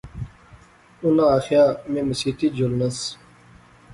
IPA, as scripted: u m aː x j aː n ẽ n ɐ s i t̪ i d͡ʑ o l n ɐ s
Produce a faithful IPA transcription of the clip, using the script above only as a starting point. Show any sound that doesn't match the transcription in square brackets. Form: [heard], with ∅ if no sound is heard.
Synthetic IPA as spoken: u [n] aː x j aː [m] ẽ [m] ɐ s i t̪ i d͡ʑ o l n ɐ s